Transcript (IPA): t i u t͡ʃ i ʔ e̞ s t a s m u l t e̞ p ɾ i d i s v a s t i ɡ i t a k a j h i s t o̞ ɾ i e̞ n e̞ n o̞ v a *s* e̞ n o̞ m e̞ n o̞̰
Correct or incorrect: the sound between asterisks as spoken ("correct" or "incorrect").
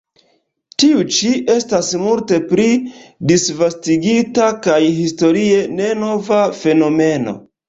incorrect